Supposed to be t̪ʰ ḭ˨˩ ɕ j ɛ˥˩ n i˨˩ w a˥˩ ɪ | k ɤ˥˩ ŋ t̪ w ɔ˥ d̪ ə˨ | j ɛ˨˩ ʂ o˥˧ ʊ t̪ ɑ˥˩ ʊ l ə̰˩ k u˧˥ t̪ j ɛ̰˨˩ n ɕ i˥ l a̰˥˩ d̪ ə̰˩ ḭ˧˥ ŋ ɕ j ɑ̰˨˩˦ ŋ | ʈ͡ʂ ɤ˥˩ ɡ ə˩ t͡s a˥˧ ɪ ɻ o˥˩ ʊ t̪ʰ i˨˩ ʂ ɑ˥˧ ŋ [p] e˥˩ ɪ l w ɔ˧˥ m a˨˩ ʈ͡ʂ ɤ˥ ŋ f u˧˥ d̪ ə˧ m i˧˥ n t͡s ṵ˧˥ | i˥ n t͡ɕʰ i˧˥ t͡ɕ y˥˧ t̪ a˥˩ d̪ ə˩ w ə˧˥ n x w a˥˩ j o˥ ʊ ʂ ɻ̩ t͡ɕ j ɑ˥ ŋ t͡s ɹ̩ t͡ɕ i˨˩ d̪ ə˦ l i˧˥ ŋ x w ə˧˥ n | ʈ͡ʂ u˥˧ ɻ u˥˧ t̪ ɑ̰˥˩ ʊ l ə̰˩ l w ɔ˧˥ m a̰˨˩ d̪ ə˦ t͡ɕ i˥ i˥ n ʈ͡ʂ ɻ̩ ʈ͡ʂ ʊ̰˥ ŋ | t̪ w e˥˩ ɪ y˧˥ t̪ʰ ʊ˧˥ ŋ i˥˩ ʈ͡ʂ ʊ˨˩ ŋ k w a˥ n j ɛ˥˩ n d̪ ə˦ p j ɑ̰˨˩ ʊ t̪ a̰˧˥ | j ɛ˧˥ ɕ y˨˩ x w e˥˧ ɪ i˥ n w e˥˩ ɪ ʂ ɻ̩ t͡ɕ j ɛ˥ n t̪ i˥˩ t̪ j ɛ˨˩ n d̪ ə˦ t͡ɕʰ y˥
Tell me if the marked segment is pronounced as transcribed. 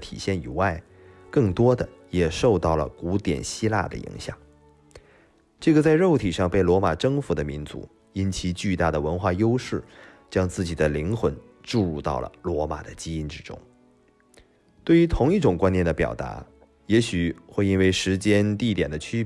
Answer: yes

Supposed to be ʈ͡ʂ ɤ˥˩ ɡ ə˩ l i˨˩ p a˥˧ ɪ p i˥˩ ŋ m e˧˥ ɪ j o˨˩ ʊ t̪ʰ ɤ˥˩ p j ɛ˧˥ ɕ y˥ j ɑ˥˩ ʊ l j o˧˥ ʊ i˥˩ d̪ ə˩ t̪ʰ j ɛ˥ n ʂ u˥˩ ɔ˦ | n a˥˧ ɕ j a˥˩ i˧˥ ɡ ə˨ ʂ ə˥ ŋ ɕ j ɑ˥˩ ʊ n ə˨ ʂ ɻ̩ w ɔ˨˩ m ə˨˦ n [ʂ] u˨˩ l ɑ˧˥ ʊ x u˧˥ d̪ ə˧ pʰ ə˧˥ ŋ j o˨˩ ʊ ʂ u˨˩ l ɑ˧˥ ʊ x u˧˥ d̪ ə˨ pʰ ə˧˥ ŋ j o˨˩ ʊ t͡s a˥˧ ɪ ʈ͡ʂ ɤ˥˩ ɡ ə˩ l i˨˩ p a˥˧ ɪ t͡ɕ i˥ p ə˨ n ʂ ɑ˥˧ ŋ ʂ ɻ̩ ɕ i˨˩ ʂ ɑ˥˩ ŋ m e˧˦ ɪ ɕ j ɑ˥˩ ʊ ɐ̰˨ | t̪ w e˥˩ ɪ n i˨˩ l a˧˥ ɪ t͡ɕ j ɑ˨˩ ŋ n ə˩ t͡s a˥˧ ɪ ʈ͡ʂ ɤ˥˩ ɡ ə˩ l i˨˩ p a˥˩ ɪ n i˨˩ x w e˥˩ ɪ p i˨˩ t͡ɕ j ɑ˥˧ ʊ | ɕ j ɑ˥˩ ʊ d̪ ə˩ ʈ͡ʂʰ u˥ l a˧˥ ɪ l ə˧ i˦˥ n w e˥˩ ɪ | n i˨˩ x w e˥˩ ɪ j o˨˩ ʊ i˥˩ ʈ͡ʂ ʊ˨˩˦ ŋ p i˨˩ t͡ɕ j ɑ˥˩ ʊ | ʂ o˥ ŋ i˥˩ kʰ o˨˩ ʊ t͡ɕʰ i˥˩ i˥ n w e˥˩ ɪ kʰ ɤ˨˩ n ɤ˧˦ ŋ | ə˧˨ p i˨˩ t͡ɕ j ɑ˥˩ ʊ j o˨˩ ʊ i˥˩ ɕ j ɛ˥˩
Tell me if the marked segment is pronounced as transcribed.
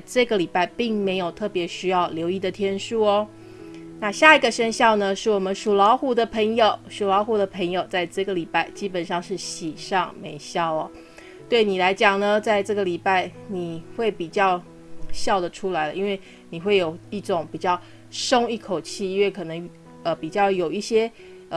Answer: yes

